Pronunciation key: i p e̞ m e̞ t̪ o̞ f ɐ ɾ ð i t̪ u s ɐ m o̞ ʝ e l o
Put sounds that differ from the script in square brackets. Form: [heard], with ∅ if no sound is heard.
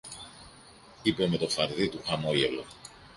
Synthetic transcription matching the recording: i p e̞ m e̞ t̪ o̞ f ɐ ɾ ð i t̪ u [x] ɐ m o̞ ʝ e l o